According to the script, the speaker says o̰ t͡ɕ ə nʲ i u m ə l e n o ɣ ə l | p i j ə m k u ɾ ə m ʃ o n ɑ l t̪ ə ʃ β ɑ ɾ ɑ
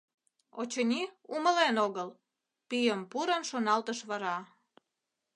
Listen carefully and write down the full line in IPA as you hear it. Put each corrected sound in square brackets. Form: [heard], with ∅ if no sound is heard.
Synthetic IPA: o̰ t͡ɕ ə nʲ i u m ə l e n o ɣ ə l | p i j ə m [p] u ɾ ə [n] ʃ o n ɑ l t̪ ə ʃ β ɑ ɾ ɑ